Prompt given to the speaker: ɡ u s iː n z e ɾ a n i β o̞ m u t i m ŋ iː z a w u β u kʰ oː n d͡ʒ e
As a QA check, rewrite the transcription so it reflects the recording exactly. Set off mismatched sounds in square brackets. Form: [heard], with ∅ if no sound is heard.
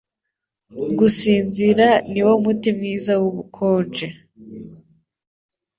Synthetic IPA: ɡ u s iː n z [i] ɾ a n i [w] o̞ m u t i m ŋ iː z a w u β u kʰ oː n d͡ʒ e